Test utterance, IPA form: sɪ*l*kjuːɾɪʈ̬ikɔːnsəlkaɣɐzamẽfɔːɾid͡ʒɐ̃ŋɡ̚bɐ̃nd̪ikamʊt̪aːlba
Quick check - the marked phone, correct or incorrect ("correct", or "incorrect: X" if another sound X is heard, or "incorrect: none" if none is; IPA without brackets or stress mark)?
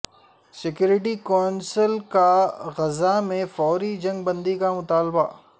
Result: incorrect: none